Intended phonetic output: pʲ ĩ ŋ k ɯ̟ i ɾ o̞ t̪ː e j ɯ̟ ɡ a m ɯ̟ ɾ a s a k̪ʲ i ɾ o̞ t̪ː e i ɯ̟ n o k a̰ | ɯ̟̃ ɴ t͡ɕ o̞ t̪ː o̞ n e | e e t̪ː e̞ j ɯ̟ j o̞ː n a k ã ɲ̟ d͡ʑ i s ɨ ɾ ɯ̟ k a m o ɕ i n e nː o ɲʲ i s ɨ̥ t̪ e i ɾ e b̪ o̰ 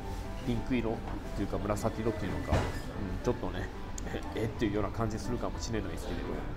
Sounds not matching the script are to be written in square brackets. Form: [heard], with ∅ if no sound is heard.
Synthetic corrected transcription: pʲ ĩ ŋ k ɯ̟ i ɾ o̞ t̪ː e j ɯ̟ [k] a m ɯ̟ ɾ a s a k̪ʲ i ɾ o̞ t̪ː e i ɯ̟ n o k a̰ | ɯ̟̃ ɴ t͡ɕ o̞ t̪ː o̞ n e | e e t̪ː e̞ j ɯ̟ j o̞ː n a k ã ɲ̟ d͡ʑ i s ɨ ɾ ɯ̟ k a m o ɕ i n e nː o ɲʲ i s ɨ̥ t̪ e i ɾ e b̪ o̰